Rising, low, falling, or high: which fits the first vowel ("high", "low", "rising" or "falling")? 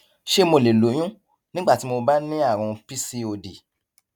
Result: high